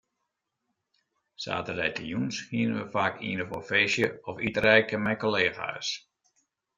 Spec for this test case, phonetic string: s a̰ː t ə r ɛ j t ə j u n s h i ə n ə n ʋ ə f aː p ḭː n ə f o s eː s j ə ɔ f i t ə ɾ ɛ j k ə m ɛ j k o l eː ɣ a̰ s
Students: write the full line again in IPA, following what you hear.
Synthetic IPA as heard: s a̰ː t ə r ɛ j t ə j u n s h i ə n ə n ʋ ə f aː k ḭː n ə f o f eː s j ə ɔ f i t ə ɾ ɛ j k ə m ɛ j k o l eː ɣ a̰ s